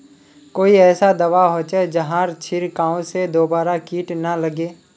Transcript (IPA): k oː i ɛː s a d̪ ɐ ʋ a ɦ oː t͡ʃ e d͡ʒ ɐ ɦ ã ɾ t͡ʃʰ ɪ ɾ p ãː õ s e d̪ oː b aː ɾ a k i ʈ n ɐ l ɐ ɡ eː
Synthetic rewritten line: k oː i ɛː s a d̪ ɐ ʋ a ɦ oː t͡ʃ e d͡ʒ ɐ ɦ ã ɾ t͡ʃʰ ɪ ɾ k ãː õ s e d̪ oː b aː ɾ a k iː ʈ n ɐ l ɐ ɡ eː